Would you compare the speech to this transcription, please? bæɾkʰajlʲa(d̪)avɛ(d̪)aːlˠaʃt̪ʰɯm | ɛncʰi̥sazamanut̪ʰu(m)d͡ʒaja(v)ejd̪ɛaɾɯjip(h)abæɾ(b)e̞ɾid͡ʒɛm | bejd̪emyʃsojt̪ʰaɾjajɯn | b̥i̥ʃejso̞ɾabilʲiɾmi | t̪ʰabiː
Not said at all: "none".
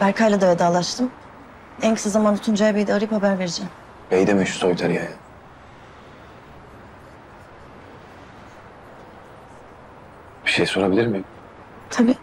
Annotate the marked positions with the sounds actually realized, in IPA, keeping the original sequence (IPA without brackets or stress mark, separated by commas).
d̪, d̪, n, b, h, v